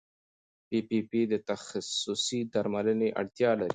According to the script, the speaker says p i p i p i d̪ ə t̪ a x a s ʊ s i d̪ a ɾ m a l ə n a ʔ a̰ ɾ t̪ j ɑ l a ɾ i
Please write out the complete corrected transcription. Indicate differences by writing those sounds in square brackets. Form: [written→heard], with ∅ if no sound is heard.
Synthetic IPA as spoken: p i p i p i d̪ ə t̪ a x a s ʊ s i d̪ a ɾ m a l ə n [a→e] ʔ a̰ [ɾ→ɽ] t̪ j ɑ l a ɾ i